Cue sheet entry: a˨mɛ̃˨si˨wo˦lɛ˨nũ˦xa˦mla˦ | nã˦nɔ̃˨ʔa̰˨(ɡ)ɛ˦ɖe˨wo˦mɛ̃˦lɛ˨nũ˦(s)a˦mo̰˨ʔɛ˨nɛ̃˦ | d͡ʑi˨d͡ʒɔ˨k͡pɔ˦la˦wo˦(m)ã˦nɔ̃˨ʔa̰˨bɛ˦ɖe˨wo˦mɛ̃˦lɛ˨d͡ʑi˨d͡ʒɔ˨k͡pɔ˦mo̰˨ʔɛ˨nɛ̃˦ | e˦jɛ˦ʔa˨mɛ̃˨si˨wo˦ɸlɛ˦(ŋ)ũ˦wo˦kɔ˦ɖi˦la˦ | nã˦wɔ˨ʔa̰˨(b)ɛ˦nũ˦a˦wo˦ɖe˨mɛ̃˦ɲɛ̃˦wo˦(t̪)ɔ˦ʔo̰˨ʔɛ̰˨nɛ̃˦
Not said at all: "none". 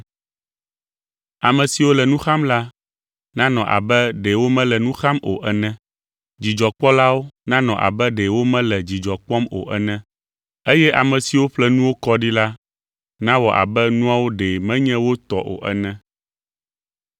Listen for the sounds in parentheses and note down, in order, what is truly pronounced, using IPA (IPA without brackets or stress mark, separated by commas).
b, x, n, n, b, t̪